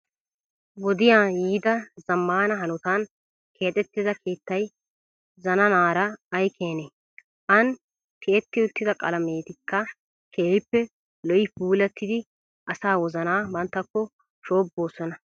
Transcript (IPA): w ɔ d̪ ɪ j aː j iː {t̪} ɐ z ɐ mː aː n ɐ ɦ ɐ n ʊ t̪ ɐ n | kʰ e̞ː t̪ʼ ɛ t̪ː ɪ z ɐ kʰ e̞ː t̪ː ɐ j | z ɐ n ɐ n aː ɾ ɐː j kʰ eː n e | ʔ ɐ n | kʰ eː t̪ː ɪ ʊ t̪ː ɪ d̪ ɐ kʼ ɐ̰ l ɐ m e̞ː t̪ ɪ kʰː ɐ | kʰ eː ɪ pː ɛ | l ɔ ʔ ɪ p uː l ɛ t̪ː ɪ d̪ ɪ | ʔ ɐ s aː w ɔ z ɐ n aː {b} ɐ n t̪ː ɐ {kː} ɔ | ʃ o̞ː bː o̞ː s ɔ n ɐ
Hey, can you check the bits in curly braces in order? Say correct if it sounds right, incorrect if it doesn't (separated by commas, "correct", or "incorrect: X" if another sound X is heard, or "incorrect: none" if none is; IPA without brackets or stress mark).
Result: incorrect: d̪, correct, correct